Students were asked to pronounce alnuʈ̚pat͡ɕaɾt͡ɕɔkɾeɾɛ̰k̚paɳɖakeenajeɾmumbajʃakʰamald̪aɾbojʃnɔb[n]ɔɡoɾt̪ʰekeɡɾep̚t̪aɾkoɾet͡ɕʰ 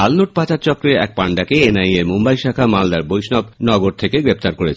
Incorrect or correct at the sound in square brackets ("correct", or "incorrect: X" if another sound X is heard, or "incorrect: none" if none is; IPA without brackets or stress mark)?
correct